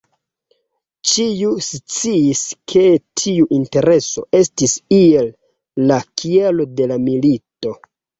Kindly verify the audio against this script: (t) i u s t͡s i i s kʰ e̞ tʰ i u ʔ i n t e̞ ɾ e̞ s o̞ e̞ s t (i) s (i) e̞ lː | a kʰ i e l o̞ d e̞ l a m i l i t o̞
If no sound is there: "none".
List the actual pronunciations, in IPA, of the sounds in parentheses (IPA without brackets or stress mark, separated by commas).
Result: t͡ʃ, i, i